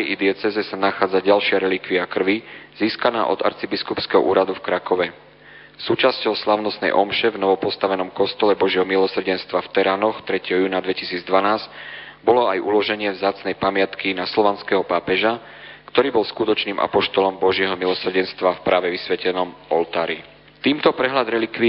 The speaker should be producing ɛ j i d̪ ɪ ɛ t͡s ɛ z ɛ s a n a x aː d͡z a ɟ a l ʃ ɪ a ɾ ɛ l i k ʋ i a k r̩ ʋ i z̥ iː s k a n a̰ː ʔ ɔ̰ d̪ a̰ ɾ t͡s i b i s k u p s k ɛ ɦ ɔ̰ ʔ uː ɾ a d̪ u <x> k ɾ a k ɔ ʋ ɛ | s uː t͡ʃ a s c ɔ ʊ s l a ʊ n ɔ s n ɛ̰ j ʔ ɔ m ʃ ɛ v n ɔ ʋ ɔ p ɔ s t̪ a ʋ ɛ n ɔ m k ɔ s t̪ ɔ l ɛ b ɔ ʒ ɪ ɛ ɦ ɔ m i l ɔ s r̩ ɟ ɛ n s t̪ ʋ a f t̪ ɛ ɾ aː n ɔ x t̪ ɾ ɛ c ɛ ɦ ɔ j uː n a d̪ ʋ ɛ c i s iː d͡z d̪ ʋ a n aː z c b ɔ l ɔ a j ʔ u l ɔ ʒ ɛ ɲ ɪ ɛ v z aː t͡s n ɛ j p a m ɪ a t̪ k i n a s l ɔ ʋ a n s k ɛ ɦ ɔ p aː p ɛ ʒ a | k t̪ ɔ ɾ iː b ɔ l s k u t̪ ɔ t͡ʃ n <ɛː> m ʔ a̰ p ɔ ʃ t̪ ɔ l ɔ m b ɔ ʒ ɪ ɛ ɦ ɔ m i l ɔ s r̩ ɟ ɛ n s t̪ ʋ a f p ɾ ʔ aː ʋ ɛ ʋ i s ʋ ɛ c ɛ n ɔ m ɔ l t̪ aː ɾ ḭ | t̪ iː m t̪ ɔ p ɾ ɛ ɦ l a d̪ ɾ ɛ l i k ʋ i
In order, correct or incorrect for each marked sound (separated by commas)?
incorrect, incorrect